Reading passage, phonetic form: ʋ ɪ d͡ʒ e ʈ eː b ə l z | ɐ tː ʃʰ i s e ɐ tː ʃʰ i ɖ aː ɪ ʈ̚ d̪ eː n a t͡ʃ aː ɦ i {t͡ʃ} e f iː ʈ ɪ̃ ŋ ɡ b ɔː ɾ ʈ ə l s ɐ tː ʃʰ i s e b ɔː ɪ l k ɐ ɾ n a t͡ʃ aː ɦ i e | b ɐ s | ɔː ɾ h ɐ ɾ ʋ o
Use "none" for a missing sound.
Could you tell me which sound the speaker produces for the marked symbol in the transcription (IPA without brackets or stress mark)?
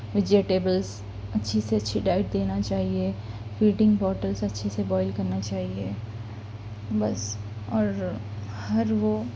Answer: none